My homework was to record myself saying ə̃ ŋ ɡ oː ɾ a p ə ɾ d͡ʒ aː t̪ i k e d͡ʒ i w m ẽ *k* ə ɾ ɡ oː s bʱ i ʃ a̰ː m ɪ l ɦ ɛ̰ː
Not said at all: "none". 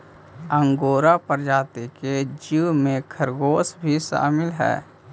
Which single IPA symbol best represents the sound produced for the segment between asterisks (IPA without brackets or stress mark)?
kʰ